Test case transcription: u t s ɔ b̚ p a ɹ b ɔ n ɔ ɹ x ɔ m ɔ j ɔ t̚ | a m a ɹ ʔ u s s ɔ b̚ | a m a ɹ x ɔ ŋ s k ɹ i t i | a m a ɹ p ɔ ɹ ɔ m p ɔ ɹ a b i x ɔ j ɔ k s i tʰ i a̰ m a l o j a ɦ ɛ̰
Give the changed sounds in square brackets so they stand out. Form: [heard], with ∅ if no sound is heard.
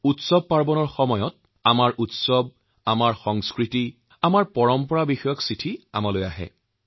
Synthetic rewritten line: u t s ɔ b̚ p a ɹ b ɔ n ɔ ɹ x ɔ m ɔ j ɔ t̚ | a m a ɹ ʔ u [t] s ɔ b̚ | a m a ɹ x ɔ ŋ s k ɹ i t i | a m a ɹ p ɔ ɹ ɔ m p ɔ ɹ a b i x ɔ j ɔ k s i tʰ i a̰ m a l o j a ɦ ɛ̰